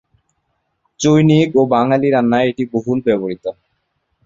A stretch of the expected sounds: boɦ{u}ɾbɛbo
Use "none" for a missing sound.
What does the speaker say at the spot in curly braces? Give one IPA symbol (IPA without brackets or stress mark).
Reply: u